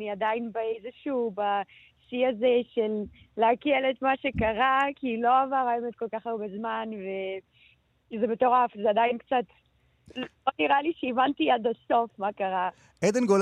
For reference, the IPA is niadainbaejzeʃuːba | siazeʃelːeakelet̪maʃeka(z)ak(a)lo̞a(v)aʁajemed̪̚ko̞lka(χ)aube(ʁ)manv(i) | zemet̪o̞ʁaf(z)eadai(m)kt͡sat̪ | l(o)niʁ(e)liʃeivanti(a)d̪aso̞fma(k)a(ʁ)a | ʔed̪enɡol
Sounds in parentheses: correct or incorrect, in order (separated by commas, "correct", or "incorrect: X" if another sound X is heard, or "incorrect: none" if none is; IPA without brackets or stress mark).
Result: incorrect: ʁ, incorrect: i, correct, correct, incorrect: z, incorrect: e, correct, incorrect: n, correct, incorrect: a, correct, correct, correct